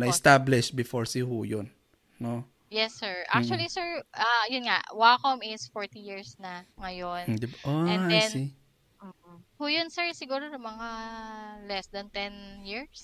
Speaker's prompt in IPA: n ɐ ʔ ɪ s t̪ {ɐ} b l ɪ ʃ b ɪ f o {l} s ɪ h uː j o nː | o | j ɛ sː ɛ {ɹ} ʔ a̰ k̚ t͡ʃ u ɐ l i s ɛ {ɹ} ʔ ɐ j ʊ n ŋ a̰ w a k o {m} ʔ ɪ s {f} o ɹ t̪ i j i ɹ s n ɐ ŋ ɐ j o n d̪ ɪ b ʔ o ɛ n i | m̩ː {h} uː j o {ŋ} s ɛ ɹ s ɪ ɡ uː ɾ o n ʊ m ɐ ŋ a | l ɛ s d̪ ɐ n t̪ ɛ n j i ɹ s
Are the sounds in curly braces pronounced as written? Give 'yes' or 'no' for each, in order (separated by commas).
no, no, yes, yes, yes, yes, yes, no